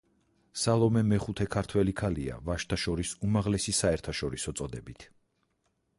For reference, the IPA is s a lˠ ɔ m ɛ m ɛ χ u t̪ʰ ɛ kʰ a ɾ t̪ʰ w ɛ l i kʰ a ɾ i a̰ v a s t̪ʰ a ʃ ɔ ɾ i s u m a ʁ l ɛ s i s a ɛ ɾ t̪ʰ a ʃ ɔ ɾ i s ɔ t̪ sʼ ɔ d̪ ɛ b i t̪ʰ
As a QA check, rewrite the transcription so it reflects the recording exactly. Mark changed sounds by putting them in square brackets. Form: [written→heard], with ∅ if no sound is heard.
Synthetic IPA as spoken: s a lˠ ɔ m ɛ m ɛ χ u t̪ʰ ɛ kʰ a ɾ t̪ʰ w ɛ l i kʰ a [ɾ→l] i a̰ v a [s→ʃ] t̪ʰ a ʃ ɔ ɾ i s u m a ʁ l ɛ s i s a ɛ ɾ t̪ʰ a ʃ ɔ ɾ i s ɔ t̪ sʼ ɔ d̪ ɛ b i t̪ʰ